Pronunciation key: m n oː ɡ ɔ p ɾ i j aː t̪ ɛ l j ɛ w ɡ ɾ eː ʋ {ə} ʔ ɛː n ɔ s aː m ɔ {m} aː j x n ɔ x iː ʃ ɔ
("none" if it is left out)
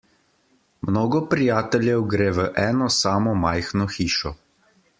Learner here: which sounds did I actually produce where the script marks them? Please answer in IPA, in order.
ə, m

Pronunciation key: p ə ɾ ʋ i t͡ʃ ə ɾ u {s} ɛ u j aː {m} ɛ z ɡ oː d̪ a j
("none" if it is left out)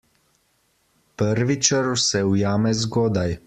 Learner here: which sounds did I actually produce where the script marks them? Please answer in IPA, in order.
s, m

